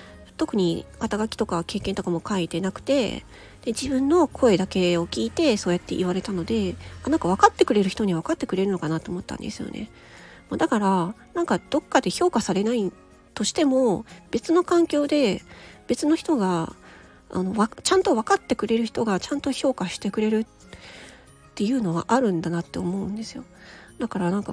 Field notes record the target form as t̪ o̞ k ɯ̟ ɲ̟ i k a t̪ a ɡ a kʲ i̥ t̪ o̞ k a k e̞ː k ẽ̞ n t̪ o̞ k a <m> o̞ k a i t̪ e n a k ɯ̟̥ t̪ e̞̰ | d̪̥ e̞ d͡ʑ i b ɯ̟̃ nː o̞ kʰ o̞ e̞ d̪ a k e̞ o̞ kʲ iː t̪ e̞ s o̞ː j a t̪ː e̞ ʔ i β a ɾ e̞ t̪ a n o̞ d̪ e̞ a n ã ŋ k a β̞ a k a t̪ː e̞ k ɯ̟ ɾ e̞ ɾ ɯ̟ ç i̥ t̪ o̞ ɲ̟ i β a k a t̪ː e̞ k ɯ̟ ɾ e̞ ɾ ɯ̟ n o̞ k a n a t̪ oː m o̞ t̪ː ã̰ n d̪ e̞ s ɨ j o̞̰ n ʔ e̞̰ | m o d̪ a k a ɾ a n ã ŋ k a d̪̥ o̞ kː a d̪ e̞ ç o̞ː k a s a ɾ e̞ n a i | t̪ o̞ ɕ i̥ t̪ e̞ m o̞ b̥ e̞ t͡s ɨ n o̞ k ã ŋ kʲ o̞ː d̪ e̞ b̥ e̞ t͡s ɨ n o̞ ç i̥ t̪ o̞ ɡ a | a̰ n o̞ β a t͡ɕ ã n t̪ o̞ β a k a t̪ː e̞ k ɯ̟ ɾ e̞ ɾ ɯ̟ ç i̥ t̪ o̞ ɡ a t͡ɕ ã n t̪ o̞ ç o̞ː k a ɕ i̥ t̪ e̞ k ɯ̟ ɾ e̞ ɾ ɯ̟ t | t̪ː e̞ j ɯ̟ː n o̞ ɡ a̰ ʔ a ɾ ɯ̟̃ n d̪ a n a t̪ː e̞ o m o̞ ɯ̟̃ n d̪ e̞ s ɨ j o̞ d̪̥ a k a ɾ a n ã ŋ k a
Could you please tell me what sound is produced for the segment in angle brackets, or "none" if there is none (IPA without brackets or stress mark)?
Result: m